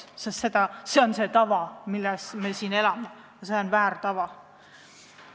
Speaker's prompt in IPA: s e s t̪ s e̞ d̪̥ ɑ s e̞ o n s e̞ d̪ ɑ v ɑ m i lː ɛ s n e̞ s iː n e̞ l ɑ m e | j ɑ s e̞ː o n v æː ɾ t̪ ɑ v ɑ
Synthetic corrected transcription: s e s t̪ s e̞ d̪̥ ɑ s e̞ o n s e̞ t̪ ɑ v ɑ m i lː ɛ s m e̞ s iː n e̞ l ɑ m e | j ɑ s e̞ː o n v æː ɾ t̪ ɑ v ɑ